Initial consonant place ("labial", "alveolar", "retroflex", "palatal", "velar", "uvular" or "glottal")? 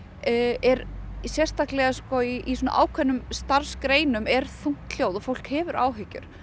alveolar